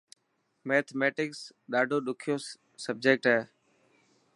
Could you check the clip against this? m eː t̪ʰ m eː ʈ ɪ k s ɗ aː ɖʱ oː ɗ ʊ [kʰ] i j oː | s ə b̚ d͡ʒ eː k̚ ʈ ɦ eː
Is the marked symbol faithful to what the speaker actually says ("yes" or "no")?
yes